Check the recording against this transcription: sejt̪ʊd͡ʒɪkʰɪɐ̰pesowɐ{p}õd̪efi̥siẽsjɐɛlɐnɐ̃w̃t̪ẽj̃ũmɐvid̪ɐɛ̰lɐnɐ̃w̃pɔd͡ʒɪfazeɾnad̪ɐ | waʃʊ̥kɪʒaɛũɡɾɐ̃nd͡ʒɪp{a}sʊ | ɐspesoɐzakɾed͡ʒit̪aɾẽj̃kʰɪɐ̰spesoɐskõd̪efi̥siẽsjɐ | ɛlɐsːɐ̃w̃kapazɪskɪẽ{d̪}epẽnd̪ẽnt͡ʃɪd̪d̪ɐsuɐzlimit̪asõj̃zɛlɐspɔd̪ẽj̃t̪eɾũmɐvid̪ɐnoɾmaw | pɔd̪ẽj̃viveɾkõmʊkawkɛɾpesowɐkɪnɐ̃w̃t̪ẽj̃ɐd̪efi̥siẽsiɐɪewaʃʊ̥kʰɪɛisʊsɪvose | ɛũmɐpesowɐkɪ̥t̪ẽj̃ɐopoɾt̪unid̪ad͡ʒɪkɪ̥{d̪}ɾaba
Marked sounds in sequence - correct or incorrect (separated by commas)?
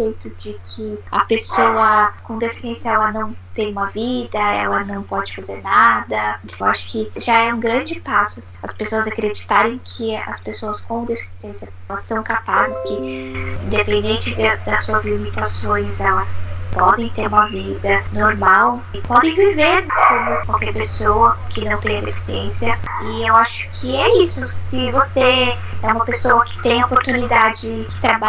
incorrect, correct, correct, incorrect